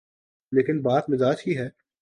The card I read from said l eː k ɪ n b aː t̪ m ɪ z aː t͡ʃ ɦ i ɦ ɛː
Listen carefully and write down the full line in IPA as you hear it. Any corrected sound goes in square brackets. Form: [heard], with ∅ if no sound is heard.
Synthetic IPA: l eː k ɪ n b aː t̪ m ɪ z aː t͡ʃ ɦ i ɦ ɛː